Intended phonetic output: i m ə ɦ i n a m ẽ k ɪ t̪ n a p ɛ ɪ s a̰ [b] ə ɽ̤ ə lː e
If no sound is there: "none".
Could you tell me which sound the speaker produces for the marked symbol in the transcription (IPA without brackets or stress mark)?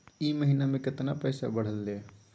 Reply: b